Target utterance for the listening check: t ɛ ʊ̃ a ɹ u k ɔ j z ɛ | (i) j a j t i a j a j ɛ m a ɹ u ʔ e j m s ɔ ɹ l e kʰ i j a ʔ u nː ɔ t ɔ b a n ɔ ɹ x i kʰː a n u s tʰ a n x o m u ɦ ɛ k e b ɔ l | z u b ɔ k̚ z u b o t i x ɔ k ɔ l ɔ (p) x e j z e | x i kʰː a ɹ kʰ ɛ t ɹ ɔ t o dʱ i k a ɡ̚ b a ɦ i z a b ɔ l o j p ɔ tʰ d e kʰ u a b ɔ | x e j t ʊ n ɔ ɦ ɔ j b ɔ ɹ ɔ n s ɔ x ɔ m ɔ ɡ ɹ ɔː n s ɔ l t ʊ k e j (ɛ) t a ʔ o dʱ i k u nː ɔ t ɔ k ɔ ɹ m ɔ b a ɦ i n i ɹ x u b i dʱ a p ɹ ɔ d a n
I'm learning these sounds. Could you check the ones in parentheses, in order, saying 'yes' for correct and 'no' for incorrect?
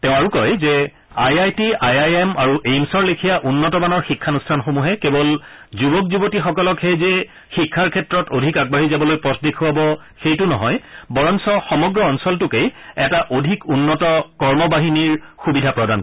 no, no, yes

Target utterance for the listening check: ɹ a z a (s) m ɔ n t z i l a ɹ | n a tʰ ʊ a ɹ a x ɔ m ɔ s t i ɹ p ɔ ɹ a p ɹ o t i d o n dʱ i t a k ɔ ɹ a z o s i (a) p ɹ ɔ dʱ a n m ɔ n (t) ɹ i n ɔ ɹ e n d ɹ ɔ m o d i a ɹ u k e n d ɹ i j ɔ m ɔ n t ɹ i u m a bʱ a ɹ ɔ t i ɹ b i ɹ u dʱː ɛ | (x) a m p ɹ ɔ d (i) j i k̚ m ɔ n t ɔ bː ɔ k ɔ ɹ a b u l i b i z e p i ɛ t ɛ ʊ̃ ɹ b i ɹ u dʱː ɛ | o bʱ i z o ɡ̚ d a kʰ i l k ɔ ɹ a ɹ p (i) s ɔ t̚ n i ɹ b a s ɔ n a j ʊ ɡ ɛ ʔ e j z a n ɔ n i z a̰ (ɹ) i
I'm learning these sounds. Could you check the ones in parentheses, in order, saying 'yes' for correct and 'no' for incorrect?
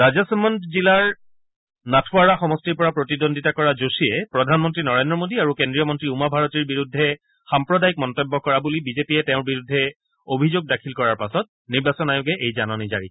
yes, no, yes, yes, no, no, yes

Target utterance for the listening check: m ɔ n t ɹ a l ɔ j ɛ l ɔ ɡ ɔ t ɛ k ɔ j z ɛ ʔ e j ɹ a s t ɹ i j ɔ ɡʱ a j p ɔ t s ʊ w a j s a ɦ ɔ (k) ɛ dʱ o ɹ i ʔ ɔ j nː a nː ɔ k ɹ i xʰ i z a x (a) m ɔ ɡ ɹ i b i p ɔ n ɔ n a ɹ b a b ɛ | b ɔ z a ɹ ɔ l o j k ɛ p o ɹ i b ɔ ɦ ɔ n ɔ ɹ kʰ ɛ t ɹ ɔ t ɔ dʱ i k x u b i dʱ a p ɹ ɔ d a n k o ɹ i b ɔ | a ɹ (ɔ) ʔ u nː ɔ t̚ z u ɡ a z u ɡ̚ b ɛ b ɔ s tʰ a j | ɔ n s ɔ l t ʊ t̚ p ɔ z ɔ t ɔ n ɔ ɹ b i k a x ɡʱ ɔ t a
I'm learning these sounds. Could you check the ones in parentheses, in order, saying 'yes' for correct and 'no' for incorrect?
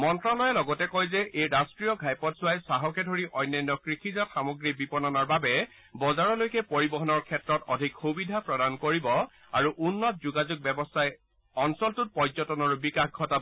yes, yes, no

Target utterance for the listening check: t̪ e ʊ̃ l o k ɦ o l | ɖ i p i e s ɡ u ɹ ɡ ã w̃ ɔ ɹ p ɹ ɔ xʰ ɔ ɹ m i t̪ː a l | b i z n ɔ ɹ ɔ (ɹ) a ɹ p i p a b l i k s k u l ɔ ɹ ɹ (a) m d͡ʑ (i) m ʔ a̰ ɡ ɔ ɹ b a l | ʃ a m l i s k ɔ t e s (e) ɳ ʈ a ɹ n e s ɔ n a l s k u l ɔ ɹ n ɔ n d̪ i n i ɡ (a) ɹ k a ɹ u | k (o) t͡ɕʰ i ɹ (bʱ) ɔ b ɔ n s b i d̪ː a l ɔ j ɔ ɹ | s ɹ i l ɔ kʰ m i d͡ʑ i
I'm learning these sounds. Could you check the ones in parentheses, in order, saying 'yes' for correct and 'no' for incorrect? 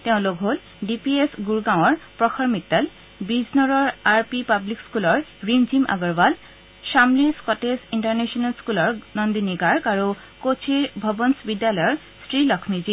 yes, no, yes, no, yes, yes, yes

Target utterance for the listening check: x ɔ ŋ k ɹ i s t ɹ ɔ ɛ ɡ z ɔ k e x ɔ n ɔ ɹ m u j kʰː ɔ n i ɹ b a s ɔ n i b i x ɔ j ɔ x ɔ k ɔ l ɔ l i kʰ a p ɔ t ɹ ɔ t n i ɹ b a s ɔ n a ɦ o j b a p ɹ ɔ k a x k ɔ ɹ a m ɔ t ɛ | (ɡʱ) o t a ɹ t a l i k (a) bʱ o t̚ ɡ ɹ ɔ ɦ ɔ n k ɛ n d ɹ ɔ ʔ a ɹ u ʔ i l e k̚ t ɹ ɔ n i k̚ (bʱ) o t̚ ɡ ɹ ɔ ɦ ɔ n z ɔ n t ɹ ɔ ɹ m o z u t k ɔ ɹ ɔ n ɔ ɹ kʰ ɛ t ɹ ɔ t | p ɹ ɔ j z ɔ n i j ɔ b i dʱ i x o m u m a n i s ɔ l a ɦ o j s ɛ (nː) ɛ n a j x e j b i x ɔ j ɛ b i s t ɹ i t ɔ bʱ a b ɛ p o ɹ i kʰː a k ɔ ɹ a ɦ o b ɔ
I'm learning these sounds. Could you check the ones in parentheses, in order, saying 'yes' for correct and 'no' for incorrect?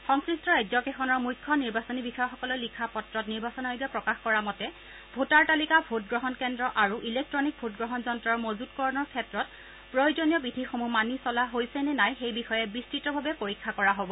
no, yes, yes, no

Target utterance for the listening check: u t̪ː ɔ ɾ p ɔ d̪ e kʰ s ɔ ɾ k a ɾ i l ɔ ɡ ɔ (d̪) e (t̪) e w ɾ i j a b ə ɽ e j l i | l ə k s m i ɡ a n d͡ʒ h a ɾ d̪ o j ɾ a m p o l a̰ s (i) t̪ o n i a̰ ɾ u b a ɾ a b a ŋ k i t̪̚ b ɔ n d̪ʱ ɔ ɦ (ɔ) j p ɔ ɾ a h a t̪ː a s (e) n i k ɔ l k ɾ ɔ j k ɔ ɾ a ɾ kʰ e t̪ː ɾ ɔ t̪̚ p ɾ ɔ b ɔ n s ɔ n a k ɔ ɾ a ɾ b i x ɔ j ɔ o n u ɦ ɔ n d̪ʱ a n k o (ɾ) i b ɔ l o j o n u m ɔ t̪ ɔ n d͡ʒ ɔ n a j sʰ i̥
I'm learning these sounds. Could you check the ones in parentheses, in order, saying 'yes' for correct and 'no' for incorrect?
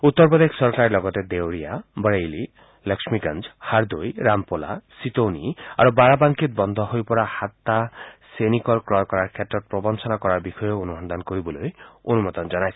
no, no, yes, no, yes, yes

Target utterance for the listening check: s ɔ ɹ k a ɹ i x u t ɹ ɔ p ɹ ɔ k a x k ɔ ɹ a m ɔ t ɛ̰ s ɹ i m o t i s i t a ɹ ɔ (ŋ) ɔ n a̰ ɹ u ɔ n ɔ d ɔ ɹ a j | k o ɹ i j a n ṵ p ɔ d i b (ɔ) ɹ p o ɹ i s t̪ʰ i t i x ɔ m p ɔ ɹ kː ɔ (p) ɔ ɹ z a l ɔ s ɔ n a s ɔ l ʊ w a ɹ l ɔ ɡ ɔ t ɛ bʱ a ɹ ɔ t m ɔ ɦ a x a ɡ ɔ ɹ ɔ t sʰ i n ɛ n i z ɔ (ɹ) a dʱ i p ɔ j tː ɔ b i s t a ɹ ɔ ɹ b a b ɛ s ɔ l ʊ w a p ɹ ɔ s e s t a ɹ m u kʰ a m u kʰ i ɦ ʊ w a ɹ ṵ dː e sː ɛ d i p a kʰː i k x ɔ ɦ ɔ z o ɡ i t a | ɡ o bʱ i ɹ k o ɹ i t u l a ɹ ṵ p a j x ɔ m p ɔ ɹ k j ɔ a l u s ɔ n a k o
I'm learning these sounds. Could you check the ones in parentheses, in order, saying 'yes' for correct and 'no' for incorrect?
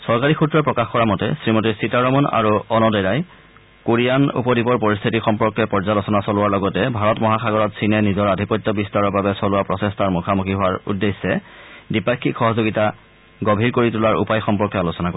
no, yes, yes, yes

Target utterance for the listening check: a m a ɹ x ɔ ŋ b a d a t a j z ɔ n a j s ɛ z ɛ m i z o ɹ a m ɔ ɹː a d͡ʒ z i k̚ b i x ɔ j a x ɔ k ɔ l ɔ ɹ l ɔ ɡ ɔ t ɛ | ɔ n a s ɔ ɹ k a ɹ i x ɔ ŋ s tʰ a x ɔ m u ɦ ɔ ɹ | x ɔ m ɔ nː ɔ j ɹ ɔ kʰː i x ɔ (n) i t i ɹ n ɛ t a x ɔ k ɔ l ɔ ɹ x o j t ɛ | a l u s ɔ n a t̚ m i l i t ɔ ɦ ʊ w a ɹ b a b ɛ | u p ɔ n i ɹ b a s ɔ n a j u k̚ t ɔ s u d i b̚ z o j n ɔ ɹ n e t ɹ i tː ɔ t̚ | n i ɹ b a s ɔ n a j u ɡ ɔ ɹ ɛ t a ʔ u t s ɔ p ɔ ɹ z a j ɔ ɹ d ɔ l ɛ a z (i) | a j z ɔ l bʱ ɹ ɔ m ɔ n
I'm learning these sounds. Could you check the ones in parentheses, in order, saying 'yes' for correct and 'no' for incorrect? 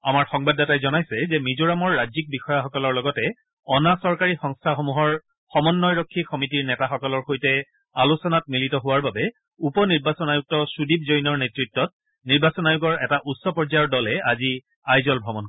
no, yes

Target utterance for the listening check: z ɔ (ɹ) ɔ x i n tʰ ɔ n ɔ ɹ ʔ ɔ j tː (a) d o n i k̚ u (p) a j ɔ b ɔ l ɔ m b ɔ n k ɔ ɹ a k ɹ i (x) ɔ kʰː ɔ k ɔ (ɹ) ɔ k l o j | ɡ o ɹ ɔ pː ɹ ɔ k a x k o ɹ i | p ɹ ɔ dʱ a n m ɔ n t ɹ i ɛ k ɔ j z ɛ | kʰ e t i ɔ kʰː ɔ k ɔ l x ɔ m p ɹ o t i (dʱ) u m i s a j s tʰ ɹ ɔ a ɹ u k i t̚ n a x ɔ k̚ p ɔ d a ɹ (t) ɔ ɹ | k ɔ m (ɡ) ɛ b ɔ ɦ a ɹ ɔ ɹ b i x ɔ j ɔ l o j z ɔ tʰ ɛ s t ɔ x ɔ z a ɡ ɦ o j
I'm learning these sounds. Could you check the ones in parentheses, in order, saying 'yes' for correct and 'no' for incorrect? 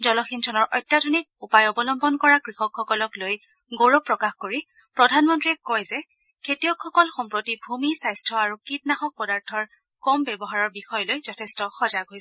no, yes, yes, yes, no, no, no, no

